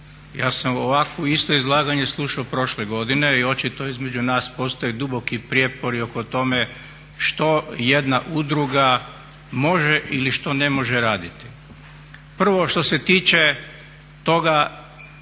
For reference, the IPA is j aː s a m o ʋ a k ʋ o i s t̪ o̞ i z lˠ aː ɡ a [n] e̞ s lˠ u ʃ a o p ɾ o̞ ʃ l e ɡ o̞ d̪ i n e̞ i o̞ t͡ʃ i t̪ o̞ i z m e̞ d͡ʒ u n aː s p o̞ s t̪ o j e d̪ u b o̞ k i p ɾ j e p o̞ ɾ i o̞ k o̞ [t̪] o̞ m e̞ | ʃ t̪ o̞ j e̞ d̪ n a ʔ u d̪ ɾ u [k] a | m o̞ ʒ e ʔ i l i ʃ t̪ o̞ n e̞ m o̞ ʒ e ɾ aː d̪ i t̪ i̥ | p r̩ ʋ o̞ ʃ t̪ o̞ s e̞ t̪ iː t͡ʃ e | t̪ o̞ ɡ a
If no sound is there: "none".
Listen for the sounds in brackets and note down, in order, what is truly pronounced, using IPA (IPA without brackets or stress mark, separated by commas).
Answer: ɲ, t̪, ɡ